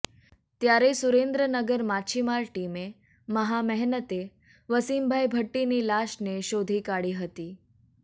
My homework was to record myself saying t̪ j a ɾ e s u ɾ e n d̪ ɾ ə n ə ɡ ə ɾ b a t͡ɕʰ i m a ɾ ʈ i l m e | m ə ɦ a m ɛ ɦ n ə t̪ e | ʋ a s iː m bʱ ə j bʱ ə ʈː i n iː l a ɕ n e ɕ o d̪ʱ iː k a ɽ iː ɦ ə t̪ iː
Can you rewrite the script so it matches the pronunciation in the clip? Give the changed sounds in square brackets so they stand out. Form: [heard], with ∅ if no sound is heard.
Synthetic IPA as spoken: t̪ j a ɾ e s u ɾ e n d̪ ɾ ə n ə ɡ ə ɾ [m] a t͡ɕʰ i m a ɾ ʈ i [∅] m e | m ə ɦ a m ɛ ɦ n ə t̪ e | ʋ [ə] s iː m bʱ [a] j bʱ ə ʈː i n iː l a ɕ n e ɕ o d̪ʱ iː k a ɽ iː ɦ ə t̪ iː